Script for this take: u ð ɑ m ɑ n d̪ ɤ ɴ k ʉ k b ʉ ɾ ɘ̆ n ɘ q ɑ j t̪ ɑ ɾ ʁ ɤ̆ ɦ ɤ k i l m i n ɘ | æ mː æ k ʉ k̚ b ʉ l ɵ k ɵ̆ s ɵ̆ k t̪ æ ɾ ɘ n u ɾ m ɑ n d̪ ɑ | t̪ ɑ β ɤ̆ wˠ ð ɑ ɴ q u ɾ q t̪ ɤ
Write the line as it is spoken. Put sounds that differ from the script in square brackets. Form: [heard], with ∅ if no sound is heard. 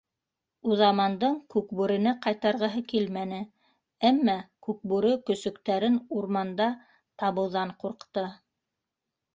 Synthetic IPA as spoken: u ð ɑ m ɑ n d̪ ɤ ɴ k ʉ k b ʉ ɾ ɘ̆ n ɘ q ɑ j t̪ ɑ ɾ ʁ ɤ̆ ɦ ɤ k i l m [æ] n ɘ | æ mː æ k ʉ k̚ b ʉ [ɾ] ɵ k ɵ̆ s ɵ̆ k t̪ æ ɾ ɘ n u ɾ m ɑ n d̪ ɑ | t̪ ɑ β ɤ̆ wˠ ð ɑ ɴ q u ɾ q t̪ ɤ